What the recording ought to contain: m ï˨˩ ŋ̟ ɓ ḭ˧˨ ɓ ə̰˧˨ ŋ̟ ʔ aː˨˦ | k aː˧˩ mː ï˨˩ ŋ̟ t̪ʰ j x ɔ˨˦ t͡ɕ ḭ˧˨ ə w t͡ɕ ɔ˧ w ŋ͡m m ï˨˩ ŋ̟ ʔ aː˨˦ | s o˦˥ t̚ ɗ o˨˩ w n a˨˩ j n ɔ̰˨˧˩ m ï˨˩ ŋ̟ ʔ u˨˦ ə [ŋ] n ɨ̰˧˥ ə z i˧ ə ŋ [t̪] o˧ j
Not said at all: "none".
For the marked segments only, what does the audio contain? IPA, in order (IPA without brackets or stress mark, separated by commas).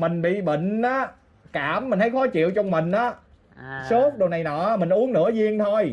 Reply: ŋ, t̪ʰ